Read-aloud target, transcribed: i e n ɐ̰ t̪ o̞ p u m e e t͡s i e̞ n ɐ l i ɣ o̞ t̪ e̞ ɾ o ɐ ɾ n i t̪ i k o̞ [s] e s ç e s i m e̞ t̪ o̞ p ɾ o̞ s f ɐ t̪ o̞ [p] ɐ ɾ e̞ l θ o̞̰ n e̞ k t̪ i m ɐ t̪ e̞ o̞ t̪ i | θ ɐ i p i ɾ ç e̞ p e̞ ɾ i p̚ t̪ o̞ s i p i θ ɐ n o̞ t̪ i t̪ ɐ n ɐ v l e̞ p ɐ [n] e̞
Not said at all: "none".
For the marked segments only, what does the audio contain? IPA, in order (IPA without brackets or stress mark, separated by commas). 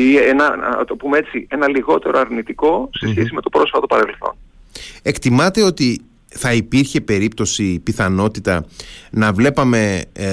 s, p, m